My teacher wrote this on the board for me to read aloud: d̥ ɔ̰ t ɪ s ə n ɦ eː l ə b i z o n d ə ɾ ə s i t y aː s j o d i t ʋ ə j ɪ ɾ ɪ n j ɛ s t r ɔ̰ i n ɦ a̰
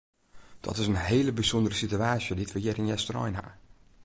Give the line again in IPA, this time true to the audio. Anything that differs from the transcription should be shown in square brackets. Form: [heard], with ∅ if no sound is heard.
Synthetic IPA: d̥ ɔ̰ t ɪ s ə n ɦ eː l ə b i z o n d ə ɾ ə s i t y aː s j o d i t ʋ ə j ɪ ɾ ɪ n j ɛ s t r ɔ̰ [j] n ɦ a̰